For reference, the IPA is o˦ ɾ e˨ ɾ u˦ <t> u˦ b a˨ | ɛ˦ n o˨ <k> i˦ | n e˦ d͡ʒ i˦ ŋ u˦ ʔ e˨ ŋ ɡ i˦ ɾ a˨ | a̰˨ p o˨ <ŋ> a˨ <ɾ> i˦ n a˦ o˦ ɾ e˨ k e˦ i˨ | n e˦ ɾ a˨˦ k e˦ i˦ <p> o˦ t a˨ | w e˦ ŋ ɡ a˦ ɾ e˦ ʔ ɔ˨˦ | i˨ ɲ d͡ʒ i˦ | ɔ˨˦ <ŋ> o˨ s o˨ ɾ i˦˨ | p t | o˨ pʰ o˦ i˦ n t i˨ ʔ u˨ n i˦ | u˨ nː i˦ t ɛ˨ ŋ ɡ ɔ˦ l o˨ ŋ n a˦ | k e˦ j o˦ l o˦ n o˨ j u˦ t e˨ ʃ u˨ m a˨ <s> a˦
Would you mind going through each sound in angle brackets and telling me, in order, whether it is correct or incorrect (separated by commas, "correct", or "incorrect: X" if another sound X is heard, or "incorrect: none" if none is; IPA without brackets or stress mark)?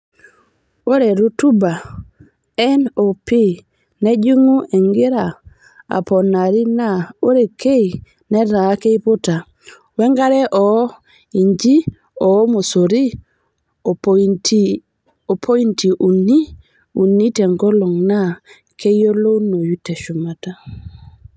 correct, incorrect: p, incorrect: n, correct, correct, incorrect: m, incorrect: t